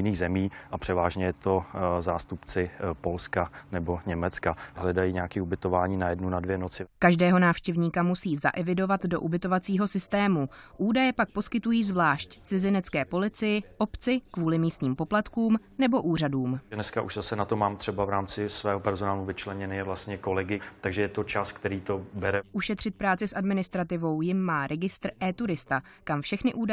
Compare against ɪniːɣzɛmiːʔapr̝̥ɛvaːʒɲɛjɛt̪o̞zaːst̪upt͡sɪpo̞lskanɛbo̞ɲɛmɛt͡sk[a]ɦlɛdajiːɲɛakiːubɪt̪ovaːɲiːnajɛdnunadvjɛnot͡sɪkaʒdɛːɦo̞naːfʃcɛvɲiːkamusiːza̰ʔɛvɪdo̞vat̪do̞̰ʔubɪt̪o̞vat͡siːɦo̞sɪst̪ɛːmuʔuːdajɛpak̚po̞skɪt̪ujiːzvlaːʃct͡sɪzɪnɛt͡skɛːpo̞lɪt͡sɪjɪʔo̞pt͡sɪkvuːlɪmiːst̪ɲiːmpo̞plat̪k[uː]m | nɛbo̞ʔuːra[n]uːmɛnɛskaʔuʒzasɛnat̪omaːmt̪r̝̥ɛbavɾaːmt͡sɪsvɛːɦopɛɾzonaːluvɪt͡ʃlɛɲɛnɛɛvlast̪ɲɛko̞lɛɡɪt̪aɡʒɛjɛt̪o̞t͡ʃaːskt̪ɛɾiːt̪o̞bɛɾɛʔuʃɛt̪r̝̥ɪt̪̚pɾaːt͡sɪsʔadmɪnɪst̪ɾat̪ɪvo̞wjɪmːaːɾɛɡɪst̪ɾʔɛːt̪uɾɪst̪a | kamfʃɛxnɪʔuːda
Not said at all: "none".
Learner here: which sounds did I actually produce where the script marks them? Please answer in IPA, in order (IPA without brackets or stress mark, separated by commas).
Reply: a, uː, d